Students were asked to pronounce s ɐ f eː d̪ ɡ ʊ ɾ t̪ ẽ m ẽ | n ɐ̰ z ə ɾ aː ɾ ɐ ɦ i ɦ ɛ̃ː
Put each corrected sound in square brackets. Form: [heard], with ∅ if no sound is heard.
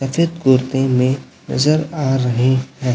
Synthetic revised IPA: s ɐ f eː d̪ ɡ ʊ ɾ t̪ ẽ m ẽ | n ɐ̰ z ə ɾ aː ɾ ɐ ɦ [e] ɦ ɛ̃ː